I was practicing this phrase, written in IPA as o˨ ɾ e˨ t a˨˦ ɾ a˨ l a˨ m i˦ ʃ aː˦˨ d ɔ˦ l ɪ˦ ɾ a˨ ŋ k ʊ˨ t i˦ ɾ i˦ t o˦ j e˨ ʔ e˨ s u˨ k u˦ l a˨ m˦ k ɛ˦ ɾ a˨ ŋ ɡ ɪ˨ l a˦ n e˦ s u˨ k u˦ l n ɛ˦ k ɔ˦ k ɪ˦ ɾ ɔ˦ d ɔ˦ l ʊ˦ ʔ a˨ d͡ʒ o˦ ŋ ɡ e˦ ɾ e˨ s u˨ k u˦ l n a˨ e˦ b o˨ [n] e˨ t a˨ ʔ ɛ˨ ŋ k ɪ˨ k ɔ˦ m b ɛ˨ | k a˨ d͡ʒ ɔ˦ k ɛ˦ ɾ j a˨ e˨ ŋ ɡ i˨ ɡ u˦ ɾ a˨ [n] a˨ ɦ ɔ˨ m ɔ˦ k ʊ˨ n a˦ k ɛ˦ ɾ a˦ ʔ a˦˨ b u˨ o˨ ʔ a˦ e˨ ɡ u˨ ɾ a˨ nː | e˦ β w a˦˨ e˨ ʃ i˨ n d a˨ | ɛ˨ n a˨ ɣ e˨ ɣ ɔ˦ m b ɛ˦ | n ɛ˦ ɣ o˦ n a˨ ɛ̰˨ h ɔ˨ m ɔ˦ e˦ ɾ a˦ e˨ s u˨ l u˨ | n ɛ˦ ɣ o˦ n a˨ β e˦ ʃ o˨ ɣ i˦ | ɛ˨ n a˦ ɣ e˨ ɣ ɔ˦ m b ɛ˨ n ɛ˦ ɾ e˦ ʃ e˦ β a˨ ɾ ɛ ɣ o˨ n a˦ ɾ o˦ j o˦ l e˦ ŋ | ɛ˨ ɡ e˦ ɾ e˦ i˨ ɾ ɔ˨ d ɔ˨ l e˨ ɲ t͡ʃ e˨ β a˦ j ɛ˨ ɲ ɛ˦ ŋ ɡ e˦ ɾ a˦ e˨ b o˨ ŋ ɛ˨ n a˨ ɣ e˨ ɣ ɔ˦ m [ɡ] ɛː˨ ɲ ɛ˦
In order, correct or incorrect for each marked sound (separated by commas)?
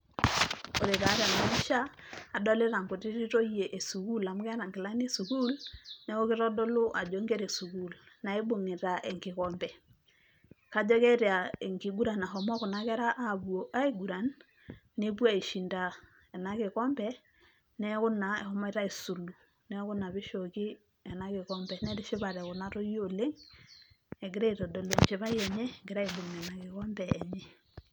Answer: incorrect, correct, incorrect